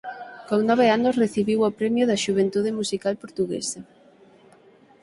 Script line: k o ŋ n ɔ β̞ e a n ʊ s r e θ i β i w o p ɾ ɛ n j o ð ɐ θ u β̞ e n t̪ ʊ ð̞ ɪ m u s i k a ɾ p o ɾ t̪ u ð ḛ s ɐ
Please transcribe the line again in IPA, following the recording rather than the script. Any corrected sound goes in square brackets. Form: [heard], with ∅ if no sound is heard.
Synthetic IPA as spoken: k o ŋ n ɔ β̞ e a n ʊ s r e θ i β i w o p ɾ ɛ [m] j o ð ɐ [ʃ] u β̞ e n t̪ [u] ð̞ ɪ m u s i k a [l] p o ɾ t̪ u [ɣ] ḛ s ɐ